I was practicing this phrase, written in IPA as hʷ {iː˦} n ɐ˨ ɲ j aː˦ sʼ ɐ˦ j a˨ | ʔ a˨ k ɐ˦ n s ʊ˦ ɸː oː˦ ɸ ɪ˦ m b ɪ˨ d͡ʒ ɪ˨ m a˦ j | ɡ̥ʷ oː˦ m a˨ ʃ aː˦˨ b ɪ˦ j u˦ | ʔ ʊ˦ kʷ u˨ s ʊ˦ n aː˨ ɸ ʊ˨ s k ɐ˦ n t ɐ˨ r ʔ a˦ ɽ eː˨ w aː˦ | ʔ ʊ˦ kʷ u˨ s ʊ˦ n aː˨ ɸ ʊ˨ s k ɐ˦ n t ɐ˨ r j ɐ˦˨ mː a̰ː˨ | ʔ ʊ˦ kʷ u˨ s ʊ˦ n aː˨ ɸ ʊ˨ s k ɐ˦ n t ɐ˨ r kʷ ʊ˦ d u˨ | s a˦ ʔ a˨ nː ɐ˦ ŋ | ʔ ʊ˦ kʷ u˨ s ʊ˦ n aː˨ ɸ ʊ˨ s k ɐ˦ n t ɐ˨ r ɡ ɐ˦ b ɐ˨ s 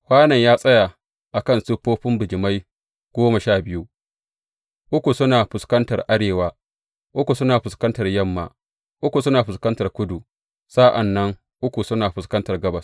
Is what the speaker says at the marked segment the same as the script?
no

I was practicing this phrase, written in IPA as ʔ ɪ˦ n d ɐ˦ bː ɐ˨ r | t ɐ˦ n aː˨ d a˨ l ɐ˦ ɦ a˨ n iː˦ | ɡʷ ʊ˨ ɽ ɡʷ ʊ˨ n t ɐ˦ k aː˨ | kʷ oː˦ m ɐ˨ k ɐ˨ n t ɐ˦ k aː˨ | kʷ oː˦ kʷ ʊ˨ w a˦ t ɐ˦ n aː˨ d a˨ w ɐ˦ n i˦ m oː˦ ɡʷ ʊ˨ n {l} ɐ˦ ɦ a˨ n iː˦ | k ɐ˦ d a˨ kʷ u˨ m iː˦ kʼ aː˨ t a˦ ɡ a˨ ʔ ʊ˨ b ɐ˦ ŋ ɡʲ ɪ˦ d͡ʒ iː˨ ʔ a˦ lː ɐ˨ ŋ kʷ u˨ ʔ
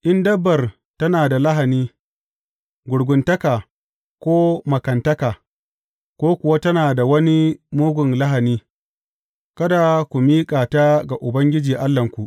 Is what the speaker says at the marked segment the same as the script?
yes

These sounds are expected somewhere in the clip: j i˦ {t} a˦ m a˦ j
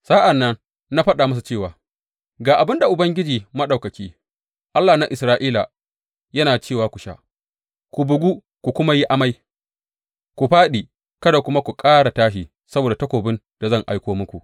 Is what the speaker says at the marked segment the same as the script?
no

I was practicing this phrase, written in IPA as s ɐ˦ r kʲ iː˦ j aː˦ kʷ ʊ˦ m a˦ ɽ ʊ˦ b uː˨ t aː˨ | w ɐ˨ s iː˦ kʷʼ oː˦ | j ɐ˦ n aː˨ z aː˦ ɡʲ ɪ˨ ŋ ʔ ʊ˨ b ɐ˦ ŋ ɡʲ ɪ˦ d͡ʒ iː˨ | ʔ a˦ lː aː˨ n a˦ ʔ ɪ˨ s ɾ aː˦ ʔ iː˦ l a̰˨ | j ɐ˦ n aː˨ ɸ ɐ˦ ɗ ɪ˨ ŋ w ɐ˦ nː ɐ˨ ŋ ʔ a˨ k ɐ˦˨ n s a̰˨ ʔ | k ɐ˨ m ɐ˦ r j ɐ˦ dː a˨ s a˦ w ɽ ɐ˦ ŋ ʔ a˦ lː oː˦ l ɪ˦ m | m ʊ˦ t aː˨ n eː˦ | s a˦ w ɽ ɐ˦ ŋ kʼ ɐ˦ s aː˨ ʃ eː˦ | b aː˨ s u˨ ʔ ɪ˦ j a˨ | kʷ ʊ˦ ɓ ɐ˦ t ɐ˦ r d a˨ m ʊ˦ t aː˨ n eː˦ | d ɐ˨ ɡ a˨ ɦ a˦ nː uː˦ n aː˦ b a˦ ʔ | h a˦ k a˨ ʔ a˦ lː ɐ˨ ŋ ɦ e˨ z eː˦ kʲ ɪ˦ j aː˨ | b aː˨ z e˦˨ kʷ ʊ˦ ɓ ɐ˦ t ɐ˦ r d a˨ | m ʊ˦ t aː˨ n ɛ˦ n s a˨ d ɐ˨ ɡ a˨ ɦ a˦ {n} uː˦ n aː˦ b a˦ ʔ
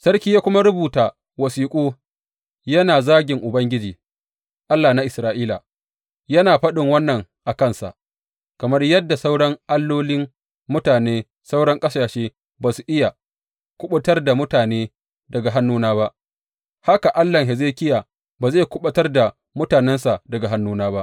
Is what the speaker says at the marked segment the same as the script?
no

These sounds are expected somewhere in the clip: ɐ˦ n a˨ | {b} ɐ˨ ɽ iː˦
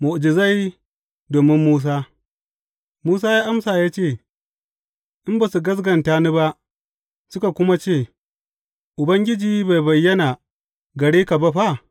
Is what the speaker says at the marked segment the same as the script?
no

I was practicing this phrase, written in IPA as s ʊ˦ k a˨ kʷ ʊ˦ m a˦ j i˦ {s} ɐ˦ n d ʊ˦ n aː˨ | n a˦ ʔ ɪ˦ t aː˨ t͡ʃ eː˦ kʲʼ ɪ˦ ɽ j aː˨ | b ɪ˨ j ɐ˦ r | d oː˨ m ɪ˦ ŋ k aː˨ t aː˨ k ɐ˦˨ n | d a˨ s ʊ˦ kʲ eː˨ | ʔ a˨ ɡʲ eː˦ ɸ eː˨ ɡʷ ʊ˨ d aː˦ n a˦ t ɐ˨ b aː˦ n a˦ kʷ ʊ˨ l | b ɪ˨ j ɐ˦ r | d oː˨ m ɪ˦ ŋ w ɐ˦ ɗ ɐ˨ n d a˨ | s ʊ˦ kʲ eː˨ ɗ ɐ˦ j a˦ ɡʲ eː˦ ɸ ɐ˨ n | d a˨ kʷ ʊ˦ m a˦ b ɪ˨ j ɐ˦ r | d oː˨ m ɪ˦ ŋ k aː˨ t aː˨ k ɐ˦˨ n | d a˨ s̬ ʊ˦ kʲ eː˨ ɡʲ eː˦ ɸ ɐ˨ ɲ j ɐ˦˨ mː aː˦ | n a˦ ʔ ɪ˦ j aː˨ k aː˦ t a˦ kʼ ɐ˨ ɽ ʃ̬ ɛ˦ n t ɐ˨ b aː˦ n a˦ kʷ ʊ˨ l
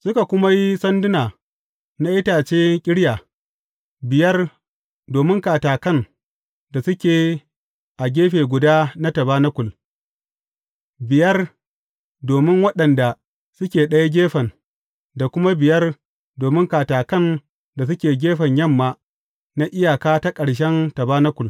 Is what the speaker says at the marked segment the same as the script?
yes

